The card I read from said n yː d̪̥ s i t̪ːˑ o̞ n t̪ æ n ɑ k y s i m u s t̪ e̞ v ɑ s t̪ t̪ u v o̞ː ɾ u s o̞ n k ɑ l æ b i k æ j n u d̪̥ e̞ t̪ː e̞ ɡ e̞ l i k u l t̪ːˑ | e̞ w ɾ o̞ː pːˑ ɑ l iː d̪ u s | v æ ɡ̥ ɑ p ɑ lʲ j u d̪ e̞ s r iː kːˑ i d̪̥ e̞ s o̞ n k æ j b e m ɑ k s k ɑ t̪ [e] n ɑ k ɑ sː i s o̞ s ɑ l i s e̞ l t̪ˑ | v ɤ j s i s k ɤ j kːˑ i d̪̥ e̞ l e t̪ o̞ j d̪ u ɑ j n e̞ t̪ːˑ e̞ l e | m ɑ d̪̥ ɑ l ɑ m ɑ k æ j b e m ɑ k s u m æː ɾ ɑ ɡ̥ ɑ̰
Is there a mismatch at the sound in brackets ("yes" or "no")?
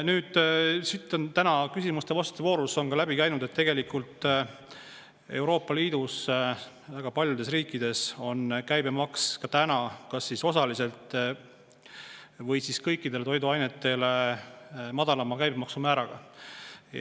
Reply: yes